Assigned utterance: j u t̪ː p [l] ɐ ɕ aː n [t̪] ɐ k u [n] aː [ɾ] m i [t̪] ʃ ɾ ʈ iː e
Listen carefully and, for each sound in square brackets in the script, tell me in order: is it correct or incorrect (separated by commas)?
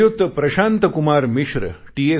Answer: incorrect, correct, incorrect, correct, incorrect